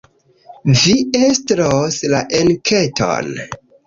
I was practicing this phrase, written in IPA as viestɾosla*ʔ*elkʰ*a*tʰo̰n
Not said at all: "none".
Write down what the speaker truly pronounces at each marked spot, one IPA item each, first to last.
ʔ, e

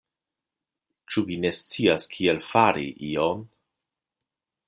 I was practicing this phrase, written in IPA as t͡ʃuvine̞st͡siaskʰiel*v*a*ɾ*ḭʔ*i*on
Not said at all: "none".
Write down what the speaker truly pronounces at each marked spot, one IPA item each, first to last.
f, ɾ, i

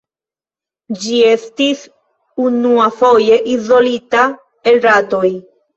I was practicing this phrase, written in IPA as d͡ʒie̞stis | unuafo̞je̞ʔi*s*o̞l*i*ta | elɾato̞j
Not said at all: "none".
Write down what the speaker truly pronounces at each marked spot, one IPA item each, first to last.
z, i

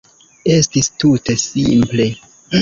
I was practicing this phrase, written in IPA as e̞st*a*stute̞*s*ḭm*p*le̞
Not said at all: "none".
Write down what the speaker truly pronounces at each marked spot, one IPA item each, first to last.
i, s, p

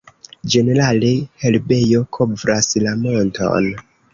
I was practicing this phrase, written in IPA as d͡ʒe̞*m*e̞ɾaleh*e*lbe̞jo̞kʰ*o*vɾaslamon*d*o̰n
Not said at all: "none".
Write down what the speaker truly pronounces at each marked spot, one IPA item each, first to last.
n, e, o, t

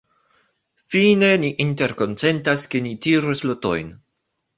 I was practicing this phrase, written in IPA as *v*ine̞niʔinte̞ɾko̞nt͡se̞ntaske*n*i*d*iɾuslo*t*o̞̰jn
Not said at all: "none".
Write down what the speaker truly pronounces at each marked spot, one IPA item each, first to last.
f, n, t, t

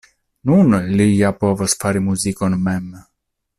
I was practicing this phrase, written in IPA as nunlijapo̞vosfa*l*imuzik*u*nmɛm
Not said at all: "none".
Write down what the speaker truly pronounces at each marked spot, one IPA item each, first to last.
ɾ, o

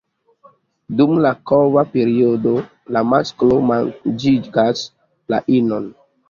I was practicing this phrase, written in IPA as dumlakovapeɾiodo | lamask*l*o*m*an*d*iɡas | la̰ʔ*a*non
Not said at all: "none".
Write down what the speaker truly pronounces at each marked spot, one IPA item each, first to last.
l, m, d͡ʒ, i

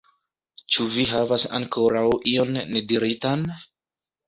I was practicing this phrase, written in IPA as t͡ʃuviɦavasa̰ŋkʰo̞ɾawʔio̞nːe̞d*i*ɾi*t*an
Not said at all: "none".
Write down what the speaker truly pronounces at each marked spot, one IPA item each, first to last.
i, t

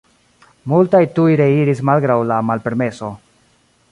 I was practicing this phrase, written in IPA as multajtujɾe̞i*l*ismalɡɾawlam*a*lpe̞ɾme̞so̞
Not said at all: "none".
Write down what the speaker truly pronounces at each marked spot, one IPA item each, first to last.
ɾ, a

